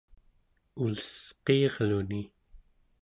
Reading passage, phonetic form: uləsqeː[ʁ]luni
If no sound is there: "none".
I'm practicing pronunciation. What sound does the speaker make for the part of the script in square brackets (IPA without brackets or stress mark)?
ʁ